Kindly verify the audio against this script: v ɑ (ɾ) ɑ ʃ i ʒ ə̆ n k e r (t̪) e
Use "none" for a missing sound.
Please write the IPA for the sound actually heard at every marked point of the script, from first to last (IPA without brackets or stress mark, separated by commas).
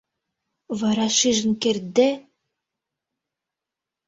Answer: ɾ, d̪